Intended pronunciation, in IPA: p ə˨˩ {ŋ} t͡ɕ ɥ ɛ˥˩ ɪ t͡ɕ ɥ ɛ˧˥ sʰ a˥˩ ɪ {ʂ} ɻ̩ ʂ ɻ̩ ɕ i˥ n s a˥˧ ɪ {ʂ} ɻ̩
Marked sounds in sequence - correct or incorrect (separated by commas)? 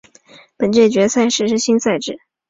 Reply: incorrect, correct, incorrect